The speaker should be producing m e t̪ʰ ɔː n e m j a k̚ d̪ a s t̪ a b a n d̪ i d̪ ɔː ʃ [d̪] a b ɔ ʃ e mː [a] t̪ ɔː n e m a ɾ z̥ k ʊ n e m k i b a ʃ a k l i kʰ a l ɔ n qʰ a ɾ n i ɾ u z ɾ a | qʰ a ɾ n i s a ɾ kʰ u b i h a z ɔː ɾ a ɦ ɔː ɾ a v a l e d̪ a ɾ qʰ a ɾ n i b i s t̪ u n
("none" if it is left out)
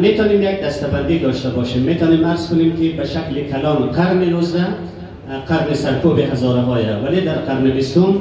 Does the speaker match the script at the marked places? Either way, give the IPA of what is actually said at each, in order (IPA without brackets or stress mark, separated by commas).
t̪, e